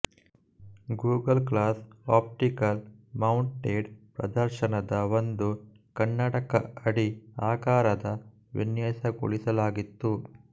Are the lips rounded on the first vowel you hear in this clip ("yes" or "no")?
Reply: yes